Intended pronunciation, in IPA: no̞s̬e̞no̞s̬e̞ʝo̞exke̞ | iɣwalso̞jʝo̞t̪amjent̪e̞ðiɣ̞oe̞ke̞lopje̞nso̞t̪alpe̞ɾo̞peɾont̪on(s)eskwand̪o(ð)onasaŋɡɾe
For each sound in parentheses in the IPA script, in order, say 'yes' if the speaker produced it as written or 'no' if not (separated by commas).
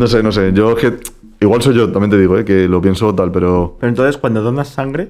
no, yes